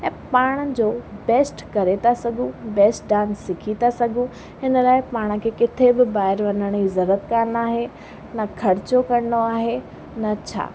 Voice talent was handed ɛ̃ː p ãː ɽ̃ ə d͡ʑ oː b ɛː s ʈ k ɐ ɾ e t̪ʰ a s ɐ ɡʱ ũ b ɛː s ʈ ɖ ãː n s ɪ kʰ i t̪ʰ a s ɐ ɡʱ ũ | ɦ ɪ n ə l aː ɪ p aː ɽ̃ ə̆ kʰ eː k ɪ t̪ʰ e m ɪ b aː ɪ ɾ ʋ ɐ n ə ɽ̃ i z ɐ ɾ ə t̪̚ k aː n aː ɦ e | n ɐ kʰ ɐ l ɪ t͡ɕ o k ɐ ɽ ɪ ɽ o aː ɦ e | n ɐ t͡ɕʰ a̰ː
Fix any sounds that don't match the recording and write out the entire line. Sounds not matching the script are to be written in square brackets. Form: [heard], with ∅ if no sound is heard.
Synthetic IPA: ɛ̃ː p [aː] ɽ̃ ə d͡ʑ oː b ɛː s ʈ k ɐ ɾ e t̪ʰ a s ɐ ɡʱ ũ b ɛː s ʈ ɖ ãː n s ɪ kʰ i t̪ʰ a s ɐ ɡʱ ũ | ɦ ɪ n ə l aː ɪ p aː ɽ̃ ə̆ kʰ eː k ɪ t̪ʰ e [b] ɪ b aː ɪ ɾ ʋ ɐ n ə ɽ̃ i z ɐ ɾ ə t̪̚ k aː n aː ɦ e | n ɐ kʰ ɐ [ɾ] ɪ t͡ɕ o k ɐ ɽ ɪ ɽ o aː ɦ e | n ɐ t͡ɕʰ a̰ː